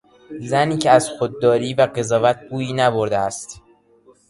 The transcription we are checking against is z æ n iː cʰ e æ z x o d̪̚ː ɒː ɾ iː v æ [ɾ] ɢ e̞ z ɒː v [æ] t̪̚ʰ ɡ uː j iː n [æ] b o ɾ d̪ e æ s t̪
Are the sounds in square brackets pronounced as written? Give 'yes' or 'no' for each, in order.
no, yes, yes

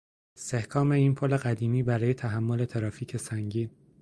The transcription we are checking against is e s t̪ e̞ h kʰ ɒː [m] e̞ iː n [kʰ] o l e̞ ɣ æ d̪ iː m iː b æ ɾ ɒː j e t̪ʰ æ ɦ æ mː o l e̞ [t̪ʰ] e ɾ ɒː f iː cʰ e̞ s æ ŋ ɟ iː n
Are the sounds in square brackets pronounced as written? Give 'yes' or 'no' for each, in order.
yes, no, yes

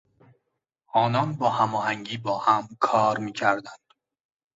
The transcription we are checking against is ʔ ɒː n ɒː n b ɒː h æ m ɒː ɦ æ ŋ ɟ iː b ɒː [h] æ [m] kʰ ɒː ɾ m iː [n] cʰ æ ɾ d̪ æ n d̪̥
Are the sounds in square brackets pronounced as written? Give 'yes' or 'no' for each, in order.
yes, yes, no

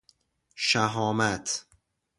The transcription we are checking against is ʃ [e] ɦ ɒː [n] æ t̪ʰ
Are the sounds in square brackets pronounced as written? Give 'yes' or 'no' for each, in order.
no, no

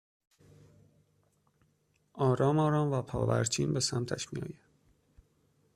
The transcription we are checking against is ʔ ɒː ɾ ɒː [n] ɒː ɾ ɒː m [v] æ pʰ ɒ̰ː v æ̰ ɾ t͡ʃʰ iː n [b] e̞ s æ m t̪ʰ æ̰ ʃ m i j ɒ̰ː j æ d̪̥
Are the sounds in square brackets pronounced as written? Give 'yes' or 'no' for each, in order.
no, yes, yes

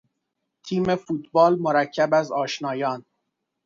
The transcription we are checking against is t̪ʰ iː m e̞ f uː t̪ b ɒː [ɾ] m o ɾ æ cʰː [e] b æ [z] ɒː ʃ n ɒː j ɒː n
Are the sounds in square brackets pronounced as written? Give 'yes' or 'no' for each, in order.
no, no, yes

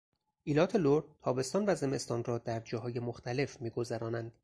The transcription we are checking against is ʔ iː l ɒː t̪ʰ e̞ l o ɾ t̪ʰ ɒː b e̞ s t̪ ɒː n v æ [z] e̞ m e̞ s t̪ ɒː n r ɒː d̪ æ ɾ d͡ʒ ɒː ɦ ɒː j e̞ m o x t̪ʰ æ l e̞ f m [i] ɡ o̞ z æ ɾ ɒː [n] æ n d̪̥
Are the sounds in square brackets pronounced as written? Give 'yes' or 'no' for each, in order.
yes, no, yes

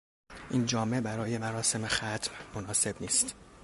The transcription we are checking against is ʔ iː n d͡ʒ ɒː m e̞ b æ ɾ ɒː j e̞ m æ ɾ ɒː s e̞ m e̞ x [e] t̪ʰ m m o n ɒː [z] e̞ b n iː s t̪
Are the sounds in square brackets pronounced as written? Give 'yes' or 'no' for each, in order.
no, no

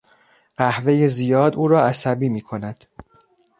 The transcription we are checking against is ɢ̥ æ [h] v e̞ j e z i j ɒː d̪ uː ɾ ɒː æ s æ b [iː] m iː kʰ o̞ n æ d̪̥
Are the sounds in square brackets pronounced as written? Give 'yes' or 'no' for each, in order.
yes, yes

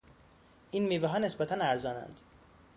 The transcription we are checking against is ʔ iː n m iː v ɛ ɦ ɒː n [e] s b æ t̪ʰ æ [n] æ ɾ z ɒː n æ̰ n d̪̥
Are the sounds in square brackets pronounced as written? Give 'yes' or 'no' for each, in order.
yes, yes

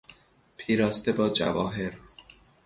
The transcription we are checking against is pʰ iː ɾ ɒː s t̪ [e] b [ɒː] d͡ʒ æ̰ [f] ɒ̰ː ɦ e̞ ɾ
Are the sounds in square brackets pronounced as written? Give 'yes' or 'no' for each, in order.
yes, yes, no

